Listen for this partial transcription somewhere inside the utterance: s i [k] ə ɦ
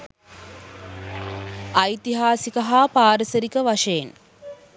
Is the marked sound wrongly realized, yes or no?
no